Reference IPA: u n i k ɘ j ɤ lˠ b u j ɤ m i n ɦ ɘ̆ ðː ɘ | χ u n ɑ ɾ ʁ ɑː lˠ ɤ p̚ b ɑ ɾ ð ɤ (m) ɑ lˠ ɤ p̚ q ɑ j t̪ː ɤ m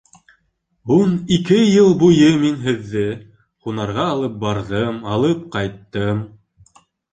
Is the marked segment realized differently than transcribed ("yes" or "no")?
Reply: no